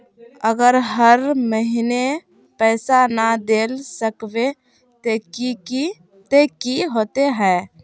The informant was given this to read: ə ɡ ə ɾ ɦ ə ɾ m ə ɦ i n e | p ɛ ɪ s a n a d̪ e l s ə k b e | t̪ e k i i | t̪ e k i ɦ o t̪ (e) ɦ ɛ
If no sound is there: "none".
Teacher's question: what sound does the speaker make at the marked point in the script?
e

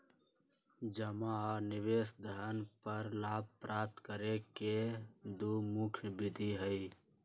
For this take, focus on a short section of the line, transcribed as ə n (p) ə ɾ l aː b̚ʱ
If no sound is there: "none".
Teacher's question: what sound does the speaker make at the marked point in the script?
p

